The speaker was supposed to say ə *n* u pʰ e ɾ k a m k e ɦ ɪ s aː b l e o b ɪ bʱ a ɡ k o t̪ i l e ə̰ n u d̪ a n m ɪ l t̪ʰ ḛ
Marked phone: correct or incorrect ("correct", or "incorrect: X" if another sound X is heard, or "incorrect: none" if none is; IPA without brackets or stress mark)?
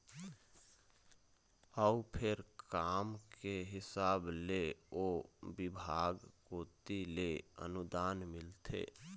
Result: incorrect: none